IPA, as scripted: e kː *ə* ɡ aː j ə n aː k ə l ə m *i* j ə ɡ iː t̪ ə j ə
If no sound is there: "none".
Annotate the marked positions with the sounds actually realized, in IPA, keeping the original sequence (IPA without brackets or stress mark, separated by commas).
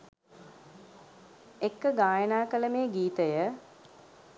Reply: ə, e